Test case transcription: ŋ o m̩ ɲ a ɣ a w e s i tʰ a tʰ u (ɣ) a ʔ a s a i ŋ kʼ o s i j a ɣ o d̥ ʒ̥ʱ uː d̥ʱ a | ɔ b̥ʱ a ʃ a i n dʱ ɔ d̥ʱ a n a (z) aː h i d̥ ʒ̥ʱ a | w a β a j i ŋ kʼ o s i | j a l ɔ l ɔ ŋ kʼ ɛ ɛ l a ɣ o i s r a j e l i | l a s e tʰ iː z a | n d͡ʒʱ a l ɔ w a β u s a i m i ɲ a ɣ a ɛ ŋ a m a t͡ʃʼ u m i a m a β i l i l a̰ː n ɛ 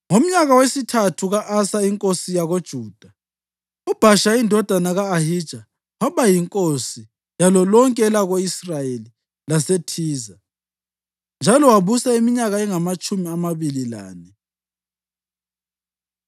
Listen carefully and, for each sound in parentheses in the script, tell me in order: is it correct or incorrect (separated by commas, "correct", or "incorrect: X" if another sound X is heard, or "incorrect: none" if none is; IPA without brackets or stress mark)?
correct, incorrect: ɣ